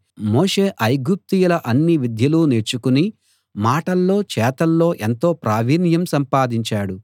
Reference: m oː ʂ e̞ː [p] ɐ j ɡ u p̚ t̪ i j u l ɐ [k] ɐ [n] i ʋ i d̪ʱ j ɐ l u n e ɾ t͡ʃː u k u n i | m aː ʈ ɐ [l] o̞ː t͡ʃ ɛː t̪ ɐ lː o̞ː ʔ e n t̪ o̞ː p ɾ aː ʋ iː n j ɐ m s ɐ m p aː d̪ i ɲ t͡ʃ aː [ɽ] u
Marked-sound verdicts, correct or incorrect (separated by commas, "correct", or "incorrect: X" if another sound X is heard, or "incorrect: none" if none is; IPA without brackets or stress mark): incorrect: ʔ, incorrect: ʔ, incorrect: nː, incorrect: lː, correct